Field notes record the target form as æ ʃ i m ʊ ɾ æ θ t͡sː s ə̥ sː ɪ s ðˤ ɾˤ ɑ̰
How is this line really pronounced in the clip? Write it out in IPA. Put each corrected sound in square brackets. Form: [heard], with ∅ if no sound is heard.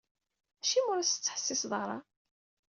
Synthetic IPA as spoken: æ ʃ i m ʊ ɾ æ [s] t͡sː [ħ] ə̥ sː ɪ s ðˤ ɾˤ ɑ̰